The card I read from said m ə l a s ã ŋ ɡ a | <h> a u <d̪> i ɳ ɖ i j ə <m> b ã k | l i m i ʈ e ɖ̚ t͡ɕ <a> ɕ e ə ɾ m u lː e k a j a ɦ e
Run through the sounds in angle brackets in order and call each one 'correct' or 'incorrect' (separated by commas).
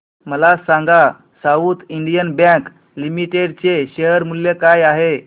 incorrect, incorrect, incorrect, incorrect